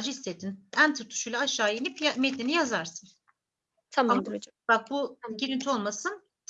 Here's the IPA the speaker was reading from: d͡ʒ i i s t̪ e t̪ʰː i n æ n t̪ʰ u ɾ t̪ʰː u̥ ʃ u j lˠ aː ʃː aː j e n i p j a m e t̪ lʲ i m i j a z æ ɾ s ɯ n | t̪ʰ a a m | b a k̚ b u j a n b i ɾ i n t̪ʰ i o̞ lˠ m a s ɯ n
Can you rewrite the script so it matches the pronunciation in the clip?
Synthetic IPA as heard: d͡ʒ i i s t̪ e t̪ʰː i n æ n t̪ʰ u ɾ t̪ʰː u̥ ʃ u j lˠ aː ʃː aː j e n i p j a m e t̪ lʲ i n i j a z a ɾ s ɯ n | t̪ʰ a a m | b a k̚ b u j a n ɟ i ɾ i n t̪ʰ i o̞ lˠ m a s ɯ n

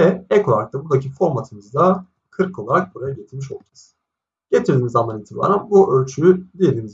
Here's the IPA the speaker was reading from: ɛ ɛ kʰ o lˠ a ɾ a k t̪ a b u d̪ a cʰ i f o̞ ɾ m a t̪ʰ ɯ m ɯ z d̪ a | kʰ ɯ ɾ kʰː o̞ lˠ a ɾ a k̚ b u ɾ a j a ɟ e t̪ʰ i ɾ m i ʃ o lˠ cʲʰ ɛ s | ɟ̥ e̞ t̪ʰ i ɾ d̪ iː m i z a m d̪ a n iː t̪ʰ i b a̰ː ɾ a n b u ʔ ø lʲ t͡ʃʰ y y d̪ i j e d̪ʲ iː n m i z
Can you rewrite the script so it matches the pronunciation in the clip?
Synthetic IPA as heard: ɛ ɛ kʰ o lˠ a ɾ a k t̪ a b u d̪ a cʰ i f o̞ ɾ m a t̪ʰ ɯ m ɯ z d̪ a | kʰ ɯ ɾ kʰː o̞ lˠ a ɾ a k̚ b u ɾ a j a ɟ e t̪ʰ i ɾ m i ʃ o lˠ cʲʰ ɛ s | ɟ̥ e̞ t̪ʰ i ɾ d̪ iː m i z a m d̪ a n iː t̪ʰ i b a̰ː ɾ a n b u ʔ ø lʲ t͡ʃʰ y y d̪ i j e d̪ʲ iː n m i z

